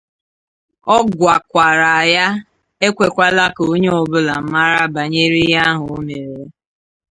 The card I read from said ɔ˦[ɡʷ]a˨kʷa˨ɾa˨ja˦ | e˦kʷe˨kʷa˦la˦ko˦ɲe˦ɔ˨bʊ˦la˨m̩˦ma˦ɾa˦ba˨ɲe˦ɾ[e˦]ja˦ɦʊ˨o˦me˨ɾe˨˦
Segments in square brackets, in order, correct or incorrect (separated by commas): correct, incorrect